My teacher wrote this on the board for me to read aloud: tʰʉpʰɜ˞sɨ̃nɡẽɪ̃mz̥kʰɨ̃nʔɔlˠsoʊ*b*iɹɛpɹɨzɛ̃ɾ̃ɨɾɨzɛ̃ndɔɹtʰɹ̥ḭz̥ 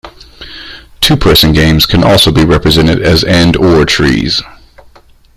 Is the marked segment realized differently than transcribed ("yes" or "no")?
no